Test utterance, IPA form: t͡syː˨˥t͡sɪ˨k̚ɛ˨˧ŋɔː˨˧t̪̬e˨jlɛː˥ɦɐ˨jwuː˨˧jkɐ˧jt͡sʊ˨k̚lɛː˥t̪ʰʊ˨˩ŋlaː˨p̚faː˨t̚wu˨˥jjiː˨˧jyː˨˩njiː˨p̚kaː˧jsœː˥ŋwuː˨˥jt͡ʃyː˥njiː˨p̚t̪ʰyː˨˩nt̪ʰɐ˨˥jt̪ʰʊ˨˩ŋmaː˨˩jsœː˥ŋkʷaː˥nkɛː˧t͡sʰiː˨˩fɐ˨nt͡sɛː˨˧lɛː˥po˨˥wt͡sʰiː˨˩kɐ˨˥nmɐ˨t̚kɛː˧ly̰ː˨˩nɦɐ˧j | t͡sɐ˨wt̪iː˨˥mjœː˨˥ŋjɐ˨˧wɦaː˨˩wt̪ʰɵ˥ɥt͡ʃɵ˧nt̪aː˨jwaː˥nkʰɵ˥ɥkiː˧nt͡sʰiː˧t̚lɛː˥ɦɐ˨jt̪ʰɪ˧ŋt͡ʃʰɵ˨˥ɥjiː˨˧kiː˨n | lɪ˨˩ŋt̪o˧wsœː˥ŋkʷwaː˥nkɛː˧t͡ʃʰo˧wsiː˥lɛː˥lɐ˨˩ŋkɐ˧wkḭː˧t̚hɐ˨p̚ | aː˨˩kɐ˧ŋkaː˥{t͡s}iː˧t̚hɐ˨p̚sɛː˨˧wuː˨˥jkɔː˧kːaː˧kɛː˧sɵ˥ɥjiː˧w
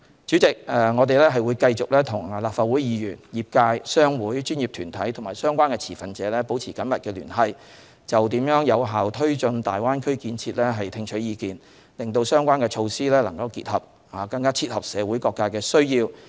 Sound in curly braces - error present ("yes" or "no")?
yes